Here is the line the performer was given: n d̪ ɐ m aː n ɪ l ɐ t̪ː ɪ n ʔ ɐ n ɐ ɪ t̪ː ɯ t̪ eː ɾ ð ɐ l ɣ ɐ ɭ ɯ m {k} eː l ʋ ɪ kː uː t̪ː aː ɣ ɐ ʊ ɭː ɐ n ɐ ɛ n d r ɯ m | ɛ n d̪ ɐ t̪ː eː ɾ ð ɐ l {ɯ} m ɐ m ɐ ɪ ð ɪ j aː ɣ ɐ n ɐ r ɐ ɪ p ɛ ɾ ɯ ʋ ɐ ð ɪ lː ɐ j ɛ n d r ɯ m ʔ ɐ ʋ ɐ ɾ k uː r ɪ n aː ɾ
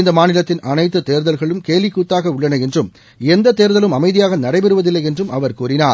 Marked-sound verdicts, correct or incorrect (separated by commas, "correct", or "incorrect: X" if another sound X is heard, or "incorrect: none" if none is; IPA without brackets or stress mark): correct, correct